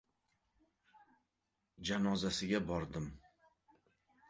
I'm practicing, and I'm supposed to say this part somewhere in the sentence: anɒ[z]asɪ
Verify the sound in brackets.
correct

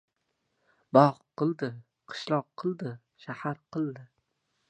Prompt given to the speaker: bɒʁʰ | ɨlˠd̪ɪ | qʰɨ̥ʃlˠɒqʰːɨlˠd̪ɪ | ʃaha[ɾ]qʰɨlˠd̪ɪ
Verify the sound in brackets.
correct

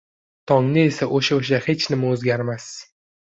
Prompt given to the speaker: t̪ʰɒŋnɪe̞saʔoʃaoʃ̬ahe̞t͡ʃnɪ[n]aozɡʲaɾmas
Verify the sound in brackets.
incorrect: m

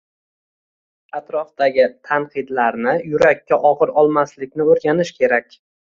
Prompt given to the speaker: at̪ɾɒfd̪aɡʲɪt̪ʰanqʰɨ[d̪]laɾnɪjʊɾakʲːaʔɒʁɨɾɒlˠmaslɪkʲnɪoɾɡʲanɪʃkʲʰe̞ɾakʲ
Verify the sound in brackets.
correct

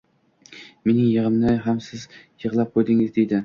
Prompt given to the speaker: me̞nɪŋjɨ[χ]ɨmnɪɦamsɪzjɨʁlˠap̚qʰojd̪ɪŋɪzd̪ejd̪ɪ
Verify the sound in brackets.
incorrect: ʁ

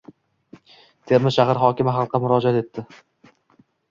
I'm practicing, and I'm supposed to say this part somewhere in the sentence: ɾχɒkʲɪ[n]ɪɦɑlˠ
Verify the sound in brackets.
incorrect: m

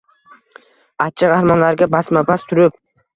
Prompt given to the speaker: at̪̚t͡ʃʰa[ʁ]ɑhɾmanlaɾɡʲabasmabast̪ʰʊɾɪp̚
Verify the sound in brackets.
correct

